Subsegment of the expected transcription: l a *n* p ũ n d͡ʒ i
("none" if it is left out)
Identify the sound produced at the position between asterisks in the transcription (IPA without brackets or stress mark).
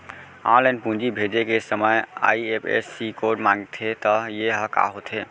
n